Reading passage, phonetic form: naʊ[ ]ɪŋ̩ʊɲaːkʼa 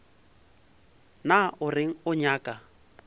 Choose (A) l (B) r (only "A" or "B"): B